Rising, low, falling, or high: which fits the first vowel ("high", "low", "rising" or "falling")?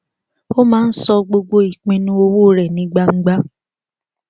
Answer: high